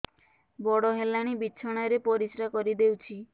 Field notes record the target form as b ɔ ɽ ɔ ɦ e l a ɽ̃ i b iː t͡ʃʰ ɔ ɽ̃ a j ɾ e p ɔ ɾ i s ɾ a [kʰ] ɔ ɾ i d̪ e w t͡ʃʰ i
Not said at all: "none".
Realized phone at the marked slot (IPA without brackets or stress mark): k